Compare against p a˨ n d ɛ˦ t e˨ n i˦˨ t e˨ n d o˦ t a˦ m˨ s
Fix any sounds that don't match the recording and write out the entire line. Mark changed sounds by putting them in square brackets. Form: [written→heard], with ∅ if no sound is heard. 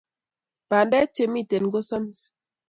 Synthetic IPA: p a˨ n d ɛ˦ [t→t͡ʃ] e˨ [n→m] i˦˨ t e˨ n [d→ɡ] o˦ [t→s] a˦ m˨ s